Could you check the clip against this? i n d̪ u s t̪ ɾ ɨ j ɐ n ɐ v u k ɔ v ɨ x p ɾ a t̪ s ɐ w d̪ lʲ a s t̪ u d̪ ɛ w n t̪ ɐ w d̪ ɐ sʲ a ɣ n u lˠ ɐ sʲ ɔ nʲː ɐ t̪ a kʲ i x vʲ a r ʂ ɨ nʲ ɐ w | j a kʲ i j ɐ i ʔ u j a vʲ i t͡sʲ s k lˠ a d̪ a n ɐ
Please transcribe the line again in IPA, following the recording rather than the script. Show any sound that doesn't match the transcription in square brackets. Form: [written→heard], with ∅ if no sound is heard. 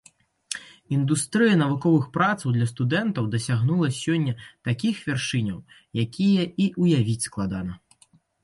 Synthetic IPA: i n d̪ u s t̪ ɾ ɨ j ɐ n ɐ v u k ɔ v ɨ x p ɾ a t̪ s ɐ w d̪ lʲ [a→ɐ] s t̪ u d̪ ɛ [w→∅] n t̪ ɐ w d̪ ɐ sʲ a ɣ n u lˠ ɐ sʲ ɔ nʲː ɐ t̪ a kʲ i x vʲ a r ʂ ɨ nʲ ɐ w | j a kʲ i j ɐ i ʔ u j a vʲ i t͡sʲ s k lˠ a d̪ a n ɐ

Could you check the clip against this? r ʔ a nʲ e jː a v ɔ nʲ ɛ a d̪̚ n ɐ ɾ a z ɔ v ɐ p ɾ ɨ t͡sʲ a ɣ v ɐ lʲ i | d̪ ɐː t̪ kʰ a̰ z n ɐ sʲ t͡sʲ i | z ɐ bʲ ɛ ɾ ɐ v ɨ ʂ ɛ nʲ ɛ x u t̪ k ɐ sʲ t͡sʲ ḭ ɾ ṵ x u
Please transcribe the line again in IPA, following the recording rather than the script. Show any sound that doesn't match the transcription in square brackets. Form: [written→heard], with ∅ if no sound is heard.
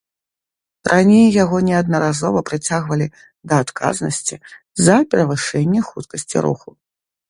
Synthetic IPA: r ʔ a nʲ e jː a [v→ɣ] ɔ nʲ ɛ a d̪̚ n ɐ ɾ a z ɔ v ɐ p ɾ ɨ t͡sʲ a ɣ v ɐ lʲ i | d̪ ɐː t̪ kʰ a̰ z n ɐ sʲ t͡sʲ i | z ɐ [bʲ→pʲ] ɛ ɾ ɐ v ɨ ʂ ɛ [nʲ→nʲː] ɛ x u t̪ k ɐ sʲ t͡sʲ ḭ ɾ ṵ x u

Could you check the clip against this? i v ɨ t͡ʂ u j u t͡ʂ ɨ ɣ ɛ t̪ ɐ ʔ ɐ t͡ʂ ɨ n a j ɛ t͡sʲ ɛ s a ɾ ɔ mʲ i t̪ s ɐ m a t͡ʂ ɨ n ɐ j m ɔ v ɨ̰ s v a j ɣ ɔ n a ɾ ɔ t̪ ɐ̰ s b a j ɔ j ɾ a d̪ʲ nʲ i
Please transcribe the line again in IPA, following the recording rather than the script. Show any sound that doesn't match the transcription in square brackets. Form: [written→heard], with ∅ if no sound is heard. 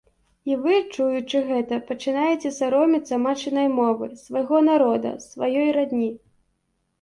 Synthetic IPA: i v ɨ t͡ʂ u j u t͡ʂ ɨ ɣ ɛ t̪ ɐ [ʔ→p] ɐ t͡ʂ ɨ n a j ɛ t͡sʲ ɛ s a ɾ ɔ mʲ i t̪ s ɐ m a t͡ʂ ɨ n ɐ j m ɔ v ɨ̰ s v a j ɣ ɔ n a ɾ ɔ [t̪→d̪] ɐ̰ s [b→v] a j ɔ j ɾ a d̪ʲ nʲ i

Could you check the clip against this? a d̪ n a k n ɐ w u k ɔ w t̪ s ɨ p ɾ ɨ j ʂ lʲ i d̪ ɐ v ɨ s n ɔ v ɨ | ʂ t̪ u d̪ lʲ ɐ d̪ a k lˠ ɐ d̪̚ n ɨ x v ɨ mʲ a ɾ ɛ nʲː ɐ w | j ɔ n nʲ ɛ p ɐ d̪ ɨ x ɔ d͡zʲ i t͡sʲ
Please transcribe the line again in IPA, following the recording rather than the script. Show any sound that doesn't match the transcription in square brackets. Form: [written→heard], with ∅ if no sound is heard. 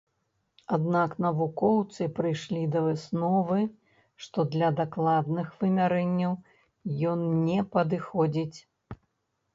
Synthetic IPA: a d̪ n a k n ɐ [w→v] u k ɔ w t̪ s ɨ p ɾ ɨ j ʂ lʲ i d̪ ɐ v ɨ s n ɔ v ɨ | ʂ t̪ [u→ɔ] d̪ lʲ ɐ d̪ a k lˠ [ɐ→a] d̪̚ n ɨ x v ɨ mʲ a ɾ ɛ nʲː ɐ w | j ɔ n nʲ ɛ p ɐ d̪ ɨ x ɔ d͡zʲ i t͡sʲ

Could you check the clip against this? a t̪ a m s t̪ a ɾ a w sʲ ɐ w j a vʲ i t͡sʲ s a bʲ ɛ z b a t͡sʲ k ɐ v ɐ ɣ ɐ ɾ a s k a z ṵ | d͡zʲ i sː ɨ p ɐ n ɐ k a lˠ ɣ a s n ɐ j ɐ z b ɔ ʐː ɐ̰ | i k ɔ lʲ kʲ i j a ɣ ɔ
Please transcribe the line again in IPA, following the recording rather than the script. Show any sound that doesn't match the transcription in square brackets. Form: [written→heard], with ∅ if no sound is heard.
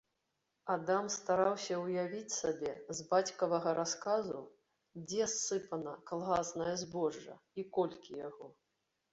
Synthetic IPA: a [t̪→d̪] a m s t̪ a ɾ a w sʲ ɐ w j a vʲ i t͡sʲ s a bʲ ɛ z b a t͡sʲ k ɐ v ɐ ɣ ɐ ɾ a s k a z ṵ | d͡zʲ [i→ɛ] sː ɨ p ɐ n ɐ k a lˠ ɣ a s n ɐ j ɐ z b ɔ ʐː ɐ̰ | i k ɔ lʲ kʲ i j a ɣ ɔ

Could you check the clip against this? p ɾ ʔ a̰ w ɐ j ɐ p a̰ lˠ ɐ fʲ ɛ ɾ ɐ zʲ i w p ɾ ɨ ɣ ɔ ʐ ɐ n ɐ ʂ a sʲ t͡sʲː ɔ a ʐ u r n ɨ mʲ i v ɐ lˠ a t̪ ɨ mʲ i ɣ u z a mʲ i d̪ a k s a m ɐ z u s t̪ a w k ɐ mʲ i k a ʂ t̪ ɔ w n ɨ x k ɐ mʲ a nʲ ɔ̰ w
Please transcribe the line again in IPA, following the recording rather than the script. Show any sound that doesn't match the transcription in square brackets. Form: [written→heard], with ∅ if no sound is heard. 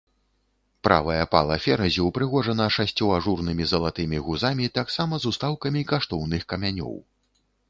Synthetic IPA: p ɾ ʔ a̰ [w→v] ɐ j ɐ p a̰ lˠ ɐ fʲ ɛ ɾ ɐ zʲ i w p ɾ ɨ ɣ ɔ ʐ ɐ n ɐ ʂ a sʲ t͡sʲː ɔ a ʐ u r n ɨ mʲ i [v→z] ɐ lˠ a t̪ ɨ mʲ i ɣ u z a mʲ i [d̪→t̪] a k s a m ɐ z u s t̪ a w k ɐ mʲ i k a ʂ t̪ ɔ w n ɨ x k ɐ mʲ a nʲ ɔ̰ w

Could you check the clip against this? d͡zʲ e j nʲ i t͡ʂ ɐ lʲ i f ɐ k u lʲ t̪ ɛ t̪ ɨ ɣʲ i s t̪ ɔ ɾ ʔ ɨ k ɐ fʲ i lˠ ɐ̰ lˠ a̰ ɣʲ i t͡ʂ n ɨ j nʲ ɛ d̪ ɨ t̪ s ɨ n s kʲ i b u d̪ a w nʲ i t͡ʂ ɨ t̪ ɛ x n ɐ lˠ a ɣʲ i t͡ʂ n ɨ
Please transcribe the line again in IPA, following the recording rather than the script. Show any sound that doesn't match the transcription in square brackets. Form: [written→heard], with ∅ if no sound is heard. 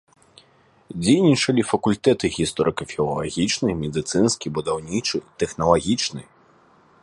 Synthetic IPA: d͡zʲ e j nʲ i t͡ʂ ɐ lʲ i f ɐ k u lʲ t̪ ɛ t̪ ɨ ɣʲ i s t̪ ɔ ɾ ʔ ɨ k ɐ fʲ i lˠ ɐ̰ lˠ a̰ ɣʲ i t͡ʂ n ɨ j [nʲ→mʲ] ɛ d̪ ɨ t̪ s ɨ n s kʲ i b u d̪ a w nʲ i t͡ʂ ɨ t̪ ɛ x n ɐ lˠ a ɣʲ i t͡ʂ n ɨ

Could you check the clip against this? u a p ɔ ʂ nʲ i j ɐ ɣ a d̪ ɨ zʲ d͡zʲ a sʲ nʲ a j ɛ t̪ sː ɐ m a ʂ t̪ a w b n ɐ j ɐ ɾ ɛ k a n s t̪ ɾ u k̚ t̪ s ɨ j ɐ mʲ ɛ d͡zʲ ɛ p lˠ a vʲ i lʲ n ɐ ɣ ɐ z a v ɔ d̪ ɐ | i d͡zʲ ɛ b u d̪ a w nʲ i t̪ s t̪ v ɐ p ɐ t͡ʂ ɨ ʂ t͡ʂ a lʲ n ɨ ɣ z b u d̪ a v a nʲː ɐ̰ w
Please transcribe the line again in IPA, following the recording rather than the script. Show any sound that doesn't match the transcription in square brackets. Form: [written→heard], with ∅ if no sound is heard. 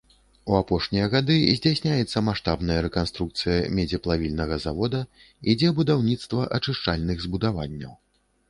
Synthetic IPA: u a p ɔ ʂ nʲ i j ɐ ɣ a d̪ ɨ zʲ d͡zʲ a sʲ nʲ a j ɛ t̪ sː ɐ m a ʂ t̪ a [w→∅] b n ɐ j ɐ ɾ ɛ k a n s t̪ ɾ u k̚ t̪ s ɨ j ɐ mʲ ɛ d͡zʲ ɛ p lˠ a vʲ i lʲ n ɐ ɣ ɐ z a v ɔ d̪ ɐ | i d͡zʲ ɛ b u d̪ a w nʲ i t̪ s t̪ v ɐ [p→ʔ] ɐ t͡ʂ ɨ ʂ t͡ʂ a lʲ n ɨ ɣ z b u d̪ a v a nʲː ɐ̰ w

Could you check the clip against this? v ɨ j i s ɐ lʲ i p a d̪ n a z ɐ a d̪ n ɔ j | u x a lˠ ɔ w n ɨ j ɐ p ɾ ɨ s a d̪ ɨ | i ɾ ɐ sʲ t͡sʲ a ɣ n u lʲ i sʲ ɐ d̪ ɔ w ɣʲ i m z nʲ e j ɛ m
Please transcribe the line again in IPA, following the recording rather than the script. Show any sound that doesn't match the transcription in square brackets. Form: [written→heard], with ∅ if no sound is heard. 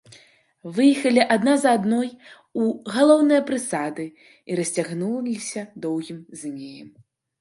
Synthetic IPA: v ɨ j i [s→x] ɐ lʲ i [p→ʔ] a d̪ n a z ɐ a d̪ n ɔ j | u [x→ɣ] a lˠ ɔ w n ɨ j ɐ p ɾ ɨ s a d̪ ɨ | i ɾ ɐ sʲ t͡sʲ a ɣ n u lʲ i sʲ ɐ d̪ ɔ w ɣʲ i m z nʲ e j ɛ m

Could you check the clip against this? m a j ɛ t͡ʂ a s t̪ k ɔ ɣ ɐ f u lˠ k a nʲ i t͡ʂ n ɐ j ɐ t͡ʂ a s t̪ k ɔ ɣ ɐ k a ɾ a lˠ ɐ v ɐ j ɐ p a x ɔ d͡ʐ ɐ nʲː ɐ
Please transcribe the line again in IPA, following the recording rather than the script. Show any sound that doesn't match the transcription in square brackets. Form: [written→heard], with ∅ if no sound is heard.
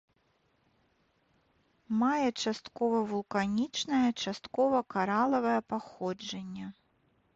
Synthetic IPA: m a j ɛ t͡ʂ a s t̪ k ɔ [ɣ→v] ɐ [f→v] u lˠ k a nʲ i t͡ʂ n ɐ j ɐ t͡ʂ a s t̪ k ɔ [ɣ→v] ɐ k a ɾ a lˠ ɐ v ɐ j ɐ p a x ɔ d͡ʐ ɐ nʲː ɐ

